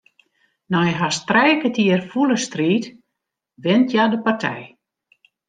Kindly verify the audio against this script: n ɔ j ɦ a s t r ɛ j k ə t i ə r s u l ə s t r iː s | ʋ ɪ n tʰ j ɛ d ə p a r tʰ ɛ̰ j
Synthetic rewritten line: n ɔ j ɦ a s t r ɛ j k ə t i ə r f u l ə s t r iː t | ʋ ɪ n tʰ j a d ə p a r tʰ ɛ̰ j